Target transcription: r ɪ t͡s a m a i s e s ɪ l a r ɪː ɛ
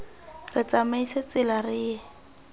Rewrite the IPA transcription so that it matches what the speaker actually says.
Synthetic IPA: r ɪ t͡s a m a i s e t͡s ɪ l a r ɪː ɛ

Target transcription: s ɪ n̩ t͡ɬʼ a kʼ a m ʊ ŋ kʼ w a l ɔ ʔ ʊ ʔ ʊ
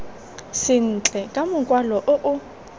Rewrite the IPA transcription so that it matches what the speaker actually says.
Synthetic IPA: s ɪ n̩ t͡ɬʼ ɛ kʼ a m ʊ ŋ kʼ w a l ɔ ʔ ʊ ʔ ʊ

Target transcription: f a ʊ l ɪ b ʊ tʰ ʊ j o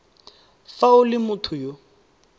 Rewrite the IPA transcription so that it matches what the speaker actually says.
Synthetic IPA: f a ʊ l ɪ m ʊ tʰ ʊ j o

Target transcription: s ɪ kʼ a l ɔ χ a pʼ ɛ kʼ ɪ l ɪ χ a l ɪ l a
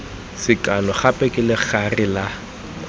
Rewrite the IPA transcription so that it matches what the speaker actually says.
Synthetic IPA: s ɪ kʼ a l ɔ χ a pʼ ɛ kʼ ɪ l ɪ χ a r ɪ l a

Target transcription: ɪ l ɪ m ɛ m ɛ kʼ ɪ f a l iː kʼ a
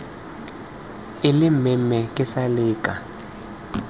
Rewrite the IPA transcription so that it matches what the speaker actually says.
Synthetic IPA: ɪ l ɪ m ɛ m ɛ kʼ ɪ s a l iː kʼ a

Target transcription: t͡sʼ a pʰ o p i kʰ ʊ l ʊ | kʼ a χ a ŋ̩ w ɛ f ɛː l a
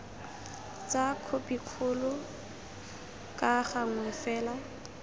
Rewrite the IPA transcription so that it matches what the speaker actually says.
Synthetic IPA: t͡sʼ a kʰ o p i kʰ ʊ l ʊ | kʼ a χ a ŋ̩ w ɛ f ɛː l a

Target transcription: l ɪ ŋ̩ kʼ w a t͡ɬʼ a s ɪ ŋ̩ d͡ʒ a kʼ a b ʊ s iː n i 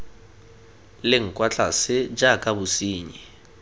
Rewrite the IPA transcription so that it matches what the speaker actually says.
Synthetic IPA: l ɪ ŋ̩ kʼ w a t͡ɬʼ a s ɪ d͡ʒ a kʼ a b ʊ s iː ɲ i

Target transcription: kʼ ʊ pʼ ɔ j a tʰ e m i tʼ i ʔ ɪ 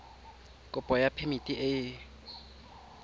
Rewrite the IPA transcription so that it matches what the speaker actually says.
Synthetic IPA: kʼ ʊ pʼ ɔ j a pʰ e m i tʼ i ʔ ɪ

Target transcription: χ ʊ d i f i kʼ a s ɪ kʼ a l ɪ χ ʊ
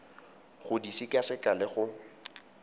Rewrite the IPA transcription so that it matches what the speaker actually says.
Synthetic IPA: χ ʊ d i s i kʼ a s ɪ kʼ a l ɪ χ ʊ

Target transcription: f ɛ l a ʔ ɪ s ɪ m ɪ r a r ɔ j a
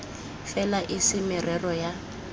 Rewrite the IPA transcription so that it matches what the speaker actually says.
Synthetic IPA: f ɛ l a ʔ ɪ s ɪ m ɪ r ɛ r ɔ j a

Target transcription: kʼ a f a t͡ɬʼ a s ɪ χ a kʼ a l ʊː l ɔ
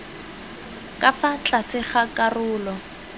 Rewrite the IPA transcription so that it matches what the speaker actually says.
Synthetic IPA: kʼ a f a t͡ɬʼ a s ɪ χ a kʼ a r ʊː l ɔ

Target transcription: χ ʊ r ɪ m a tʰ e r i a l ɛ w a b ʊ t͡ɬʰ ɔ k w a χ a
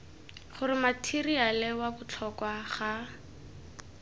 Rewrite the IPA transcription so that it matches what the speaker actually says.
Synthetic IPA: χ ʊ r ɪ m a tʰ i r i a l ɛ w a b ʊ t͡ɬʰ ɔ k w a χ a

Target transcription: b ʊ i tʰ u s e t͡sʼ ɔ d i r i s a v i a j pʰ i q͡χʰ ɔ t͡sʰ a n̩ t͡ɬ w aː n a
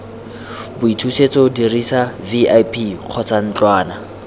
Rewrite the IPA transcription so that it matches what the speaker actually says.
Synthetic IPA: b ʊ i tʰ u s e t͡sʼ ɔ d i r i s a v i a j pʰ i q͡χʰ ɔ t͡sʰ a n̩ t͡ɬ w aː n a

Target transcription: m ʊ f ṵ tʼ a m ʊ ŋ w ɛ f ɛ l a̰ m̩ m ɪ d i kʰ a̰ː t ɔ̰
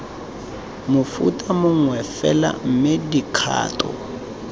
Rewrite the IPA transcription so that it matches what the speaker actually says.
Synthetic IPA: m ʊ f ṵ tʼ a m ʊ ŋ w ɛ f ɛ l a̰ m̩ m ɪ d i kʰ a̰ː t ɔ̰

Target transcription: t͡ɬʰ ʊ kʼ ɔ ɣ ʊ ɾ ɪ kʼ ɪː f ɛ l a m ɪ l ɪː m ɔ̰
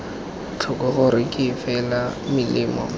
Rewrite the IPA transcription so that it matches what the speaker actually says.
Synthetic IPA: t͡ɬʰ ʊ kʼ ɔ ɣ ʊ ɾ ɪ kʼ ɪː f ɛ l a m ɪ l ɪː m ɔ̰

